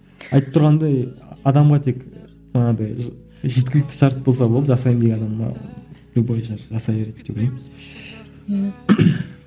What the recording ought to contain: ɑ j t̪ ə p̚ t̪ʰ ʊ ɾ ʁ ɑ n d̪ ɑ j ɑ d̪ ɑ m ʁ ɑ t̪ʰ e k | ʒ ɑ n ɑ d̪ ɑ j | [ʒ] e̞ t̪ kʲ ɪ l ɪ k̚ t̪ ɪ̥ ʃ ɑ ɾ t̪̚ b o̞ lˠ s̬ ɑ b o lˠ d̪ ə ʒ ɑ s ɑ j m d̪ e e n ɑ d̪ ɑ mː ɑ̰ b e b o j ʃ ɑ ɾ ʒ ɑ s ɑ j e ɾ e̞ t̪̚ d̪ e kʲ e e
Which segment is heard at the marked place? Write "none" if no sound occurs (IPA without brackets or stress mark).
ʒ